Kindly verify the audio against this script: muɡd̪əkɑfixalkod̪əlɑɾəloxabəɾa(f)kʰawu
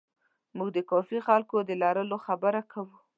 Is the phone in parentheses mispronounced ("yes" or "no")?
yes